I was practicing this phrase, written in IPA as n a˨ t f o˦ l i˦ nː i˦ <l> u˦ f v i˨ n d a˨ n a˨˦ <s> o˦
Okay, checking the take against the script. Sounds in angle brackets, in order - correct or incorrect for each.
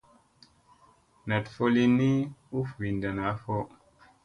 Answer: incorrect, incorrect

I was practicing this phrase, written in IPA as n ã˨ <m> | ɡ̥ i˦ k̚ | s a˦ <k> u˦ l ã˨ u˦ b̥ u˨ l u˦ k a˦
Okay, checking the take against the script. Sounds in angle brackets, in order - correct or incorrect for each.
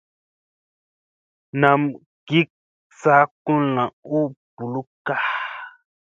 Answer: correct, correct

